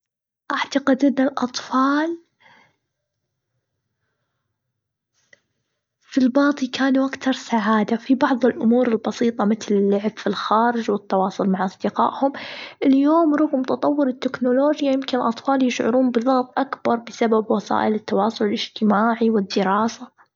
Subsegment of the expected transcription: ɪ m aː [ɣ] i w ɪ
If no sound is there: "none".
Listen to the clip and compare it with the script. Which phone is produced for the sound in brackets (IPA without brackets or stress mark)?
ʕ